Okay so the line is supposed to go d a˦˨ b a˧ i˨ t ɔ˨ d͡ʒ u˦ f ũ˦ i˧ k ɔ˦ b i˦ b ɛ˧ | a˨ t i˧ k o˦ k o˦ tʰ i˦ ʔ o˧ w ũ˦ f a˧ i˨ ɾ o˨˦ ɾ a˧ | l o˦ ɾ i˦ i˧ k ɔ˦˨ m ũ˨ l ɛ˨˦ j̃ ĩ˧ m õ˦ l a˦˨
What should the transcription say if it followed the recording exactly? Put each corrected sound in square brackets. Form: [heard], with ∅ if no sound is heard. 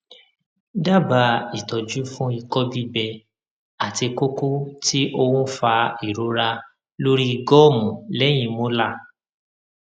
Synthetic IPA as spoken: d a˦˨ b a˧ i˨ t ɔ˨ d͡ʒ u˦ f ũ˦ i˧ k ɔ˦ b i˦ b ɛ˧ | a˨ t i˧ k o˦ k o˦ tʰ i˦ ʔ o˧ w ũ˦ f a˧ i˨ ɾ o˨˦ ɾ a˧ | l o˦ ɾ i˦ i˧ [ɡ] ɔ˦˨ m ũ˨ l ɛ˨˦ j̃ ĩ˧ m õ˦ l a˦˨